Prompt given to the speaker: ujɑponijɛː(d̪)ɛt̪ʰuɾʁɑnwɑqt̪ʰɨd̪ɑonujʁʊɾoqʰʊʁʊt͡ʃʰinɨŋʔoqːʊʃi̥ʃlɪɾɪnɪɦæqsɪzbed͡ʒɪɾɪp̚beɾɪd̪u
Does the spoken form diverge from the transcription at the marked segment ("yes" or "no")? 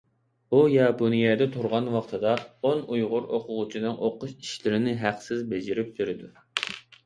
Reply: no